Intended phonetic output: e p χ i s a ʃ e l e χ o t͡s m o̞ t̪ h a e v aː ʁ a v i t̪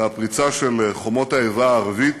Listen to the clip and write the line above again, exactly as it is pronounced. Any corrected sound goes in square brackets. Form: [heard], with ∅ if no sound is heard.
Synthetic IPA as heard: [a] p [ʁ] i [t͡s] a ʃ e l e χ o [∅] m o̞ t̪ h a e v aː ʁ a v i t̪